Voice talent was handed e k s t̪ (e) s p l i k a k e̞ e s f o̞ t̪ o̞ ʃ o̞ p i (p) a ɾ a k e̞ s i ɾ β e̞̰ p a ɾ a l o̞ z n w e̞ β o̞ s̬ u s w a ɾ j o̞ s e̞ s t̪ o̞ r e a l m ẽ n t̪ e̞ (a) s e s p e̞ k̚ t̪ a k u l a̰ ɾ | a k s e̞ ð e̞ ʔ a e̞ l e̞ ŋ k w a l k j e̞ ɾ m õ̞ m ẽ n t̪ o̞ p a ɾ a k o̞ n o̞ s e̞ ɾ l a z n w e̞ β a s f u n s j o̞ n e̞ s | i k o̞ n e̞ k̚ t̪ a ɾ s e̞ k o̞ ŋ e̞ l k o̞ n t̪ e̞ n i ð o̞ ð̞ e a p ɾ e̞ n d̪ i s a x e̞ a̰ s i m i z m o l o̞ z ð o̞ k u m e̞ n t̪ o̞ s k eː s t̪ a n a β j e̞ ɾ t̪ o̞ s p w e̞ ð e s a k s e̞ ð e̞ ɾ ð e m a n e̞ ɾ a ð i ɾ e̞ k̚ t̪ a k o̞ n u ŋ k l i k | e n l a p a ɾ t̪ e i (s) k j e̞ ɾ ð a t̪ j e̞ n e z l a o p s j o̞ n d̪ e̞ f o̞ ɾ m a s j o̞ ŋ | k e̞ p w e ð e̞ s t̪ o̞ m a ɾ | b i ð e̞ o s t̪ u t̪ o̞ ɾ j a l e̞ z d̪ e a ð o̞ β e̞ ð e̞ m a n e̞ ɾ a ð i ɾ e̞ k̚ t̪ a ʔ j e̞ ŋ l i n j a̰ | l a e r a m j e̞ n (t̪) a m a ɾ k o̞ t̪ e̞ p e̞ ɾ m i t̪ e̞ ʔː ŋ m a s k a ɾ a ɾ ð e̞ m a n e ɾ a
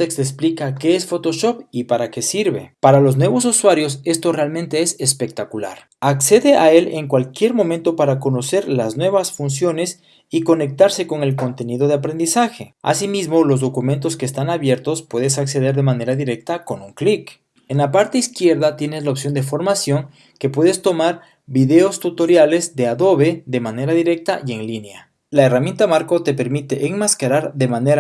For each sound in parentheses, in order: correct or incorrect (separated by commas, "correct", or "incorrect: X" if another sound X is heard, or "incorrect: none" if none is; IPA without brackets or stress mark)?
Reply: correct, correct, incorrect: e, correct, correct